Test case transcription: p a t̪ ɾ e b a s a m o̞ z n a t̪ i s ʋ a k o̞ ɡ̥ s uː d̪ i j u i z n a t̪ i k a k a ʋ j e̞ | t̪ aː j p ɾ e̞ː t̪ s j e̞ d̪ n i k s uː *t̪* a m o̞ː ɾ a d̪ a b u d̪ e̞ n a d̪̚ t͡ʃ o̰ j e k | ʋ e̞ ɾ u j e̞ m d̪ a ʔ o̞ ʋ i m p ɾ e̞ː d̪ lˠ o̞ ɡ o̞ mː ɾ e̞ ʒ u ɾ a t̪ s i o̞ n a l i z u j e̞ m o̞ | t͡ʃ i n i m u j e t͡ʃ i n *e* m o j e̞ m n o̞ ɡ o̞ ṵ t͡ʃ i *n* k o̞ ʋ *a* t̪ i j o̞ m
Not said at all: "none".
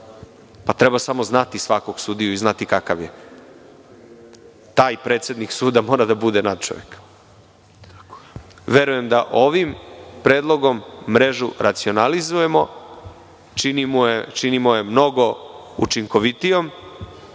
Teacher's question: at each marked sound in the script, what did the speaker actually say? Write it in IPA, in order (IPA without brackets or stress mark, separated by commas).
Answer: d̪, i, ŋ, i